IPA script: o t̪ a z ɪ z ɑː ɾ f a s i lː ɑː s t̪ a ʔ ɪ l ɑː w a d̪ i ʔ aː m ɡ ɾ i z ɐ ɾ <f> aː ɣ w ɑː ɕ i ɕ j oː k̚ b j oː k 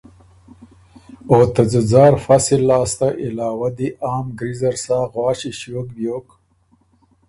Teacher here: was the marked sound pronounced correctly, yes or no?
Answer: no